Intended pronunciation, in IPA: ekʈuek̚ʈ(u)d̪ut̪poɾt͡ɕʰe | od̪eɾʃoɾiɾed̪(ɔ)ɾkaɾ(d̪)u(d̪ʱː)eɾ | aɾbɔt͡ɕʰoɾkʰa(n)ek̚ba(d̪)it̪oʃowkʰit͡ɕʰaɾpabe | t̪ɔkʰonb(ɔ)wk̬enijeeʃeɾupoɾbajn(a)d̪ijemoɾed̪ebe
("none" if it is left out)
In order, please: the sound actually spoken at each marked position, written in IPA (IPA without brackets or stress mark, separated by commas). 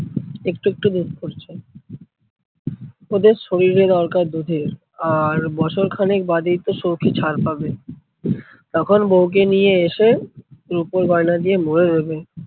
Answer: u, ɔ, d̪, d̪ʱ, n, d̪, o, a